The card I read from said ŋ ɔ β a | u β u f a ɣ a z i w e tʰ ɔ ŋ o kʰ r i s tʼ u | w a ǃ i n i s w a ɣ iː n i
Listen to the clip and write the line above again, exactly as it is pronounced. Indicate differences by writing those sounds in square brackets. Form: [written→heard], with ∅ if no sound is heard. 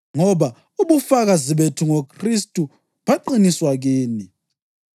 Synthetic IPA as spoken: ŋ ɔ β a | u β u f a ɣ a z i [w→β] e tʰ [ɔ→u] ŋ o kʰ r i s tʼ u | [w→β] a ǃ i n i s w a ɣ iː n i